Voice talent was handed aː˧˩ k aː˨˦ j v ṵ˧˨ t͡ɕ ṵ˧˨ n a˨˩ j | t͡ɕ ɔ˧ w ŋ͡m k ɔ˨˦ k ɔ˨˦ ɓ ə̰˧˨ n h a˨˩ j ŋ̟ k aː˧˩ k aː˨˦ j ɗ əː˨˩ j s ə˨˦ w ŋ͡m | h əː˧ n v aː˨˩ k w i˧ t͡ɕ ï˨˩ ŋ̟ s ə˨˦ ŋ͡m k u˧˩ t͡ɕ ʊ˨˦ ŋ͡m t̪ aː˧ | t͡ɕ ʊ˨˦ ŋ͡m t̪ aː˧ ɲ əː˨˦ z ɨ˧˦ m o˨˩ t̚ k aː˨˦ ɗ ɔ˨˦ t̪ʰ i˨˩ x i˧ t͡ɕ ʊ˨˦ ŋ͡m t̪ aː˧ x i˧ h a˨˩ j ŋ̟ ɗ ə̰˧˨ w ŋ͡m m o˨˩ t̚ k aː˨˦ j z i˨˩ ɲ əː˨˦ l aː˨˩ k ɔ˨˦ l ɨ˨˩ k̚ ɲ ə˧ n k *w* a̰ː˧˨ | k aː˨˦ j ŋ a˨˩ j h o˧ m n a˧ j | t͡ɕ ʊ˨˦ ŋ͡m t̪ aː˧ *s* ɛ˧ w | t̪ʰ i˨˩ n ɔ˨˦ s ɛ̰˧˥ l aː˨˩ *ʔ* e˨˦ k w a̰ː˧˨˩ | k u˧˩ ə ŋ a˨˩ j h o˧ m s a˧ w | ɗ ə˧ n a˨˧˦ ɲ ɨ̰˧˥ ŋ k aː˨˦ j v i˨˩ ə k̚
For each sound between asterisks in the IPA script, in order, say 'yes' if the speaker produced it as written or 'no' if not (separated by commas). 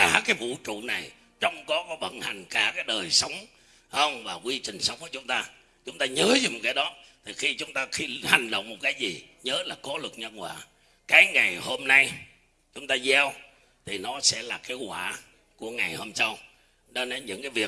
yes, no, no